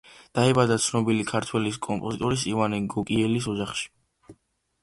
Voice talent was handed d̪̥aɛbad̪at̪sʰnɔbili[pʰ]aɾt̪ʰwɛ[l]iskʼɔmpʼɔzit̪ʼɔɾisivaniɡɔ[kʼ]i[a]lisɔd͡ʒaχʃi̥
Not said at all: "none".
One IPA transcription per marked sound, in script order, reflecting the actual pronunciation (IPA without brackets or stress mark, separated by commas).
kʰ, l, kʼ, ɛ